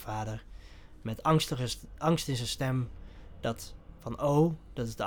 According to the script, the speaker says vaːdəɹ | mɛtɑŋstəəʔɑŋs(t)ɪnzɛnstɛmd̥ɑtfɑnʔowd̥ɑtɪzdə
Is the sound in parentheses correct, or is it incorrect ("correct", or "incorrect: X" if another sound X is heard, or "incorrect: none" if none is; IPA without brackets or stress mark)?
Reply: correct